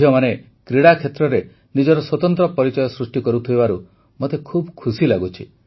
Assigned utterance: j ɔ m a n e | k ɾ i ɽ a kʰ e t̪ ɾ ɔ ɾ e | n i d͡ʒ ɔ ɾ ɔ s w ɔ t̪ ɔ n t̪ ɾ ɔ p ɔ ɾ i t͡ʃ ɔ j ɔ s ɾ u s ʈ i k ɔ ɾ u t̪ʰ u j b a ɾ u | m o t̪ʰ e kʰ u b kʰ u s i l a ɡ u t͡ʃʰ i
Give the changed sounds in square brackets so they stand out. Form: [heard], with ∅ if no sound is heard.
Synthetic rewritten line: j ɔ m a n e | k ɾ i ɽ a kʰ e t̪ ɾ ɔ ɾ e | n i d͡ʒ ɔ ɾ ɔ s w ɔ t̪ ɔ n t̪ ɾ ɔ p ɔ ɾ i t͡ʃ ɔ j ɔ s ɾ u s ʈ i k ɔ ɾ u t̪ʰ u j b a ɾ u | m o [t̪] e kʰ u b kʰ u s i l a ɡ u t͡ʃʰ i